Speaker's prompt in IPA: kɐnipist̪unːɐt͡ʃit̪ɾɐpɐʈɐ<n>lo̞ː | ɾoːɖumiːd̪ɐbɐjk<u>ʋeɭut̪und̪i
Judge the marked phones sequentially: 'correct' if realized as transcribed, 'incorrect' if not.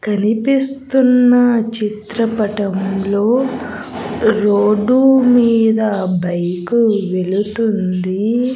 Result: incorrect, correct

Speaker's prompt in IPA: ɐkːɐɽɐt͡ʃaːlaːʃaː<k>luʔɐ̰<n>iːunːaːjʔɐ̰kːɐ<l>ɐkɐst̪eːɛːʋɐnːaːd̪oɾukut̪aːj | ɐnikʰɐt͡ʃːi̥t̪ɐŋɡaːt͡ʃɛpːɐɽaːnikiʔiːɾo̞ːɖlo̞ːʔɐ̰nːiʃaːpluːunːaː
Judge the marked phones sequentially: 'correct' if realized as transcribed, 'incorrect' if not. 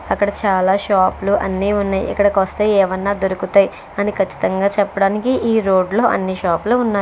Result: incorrect, incorrect, incorrect

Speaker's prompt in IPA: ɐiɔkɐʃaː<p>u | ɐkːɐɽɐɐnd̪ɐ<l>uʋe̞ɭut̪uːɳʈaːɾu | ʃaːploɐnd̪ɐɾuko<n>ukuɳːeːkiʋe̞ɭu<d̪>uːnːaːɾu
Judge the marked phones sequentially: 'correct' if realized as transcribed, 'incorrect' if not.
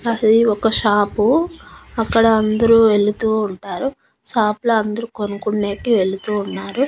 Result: correct, incorrect, correct, incorrect

